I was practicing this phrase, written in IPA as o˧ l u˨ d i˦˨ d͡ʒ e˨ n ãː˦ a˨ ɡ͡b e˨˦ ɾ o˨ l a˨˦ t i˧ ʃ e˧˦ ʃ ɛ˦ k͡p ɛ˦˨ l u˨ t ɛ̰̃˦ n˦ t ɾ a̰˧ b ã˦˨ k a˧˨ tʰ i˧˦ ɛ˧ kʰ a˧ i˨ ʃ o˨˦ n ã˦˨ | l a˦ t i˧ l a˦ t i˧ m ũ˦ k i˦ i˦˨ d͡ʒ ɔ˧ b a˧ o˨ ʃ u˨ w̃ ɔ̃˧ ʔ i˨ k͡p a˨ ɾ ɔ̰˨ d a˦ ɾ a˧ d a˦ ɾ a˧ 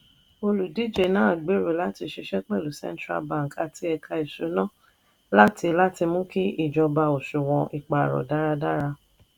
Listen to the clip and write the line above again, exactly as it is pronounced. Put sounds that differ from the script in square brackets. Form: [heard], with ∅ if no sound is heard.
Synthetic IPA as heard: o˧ l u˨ d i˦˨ d͡ʒ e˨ n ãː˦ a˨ ɡ͡b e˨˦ ɾ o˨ l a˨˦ t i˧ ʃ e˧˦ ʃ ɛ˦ k͡p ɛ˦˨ l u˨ [s] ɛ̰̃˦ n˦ t ɾ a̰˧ b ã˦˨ k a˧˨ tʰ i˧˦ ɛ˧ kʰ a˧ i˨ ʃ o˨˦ n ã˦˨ | l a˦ t i˧ l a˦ t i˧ m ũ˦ k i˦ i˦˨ d͡ʒ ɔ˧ b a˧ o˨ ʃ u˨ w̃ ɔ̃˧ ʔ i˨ k͡p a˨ ɾ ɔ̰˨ d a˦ ɾ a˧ d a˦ ɾ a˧

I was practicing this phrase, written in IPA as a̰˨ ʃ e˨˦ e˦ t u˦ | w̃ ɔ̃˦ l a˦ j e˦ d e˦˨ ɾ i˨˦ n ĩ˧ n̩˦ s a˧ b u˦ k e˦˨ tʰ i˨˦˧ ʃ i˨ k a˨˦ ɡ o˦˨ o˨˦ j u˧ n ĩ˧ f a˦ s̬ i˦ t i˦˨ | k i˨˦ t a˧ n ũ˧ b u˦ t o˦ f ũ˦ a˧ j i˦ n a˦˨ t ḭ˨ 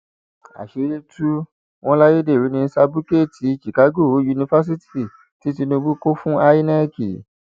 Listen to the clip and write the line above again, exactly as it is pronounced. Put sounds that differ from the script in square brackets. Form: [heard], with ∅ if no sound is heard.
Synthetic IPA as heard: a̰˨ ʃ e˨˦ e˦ t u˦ | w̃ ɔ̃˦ l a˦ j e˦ d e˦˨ ɾ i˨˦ n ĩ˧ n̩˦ s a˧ b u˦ k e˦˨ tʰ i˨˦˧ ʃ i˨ k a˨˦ ɡ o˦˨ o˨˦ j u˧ n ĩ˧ f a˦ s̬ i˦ t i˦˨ | [t] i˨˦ t [i˧] n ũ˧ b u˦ [k] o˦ f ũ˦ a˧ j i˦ n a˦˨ [k] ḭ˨

